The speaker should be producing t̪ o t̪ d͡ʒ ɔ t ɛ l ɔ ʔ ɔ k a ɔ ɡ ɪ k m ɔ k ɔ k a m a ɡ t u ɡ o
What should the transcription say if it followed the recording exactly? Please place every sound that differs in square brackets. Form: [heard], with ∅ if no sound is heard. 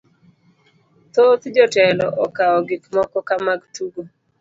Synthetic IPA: t̪ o t̪ d͡ʒ ɔ t ɛ l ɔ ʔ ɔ k a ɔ ɡ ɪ k m ɔ k ɔ k a m a ɡ t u ɡ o